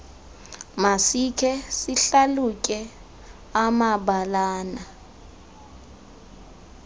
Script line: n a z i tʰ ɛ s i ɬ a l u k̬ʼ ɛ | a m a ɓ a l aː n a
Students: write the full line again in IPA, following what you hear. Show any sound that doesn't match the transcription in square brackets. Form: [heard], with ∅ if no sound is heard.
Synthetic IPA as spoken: [m] a [s] i [kʰ] ɛ s i ɬ a l u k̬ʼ ɛ | a m a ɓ a l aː n a